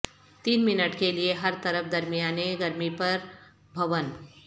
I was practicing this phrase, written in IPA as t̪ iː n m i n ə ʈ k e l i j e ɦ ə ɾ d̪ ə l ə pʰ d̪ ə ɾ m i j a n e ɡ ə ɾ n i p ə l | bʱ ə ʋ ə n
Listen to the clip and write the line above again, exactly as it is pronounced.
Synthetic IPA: t̪ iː n m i n ə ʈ k e l i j e ɦ ə ɾ t̪ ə ɾ ə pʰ d̪ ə ɾ m i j a n e ɡ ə ɾ m i p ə ɾ | bʱ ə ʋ ə n